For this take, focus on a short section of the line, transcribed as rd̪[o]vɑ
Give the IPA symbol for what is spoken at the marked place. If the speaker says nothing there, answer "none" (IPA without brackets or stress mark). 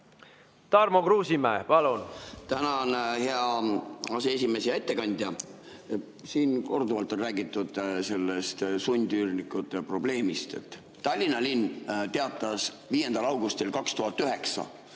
u